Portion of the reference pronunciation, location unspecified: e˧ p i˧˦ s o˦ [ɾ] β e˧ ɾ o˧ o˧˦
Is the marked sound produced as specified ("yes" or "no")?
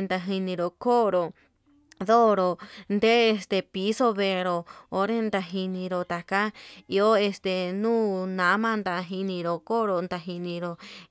no